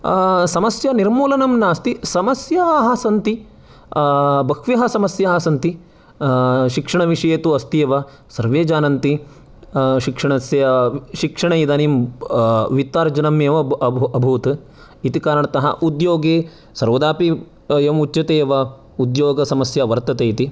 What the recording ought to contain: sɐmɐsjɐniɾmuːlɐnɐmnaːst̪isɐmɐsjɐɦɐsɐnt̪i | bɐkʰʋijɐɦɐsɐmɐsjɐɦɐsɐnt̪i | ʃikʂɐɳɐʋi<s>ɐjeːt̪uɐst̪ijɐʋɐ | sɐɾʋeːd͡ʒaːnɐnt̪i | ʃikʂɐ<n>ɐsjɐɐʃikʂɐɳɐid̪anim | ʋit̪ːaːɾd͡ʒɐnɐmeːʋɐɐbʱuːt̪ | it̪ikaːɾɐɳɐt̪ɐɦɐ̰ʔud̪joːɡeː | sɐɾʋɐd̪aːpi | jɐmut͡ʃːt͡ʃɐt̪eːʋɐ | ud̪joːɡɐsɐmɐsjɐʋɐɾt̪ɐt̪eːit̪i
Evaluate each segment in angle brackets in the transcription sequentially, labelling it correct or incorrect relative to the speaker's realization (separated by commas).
incorrect, incorrect